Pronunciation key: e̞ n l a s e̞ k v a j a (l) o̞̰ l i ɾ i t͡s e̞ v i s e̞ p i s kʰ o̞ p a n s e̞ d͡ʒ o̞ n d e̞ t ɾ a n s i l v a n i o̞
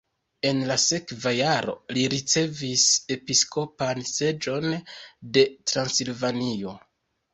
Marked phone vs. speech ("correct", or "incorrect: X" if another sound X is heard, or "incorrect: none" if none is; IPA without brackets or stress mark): incorrect: ɾ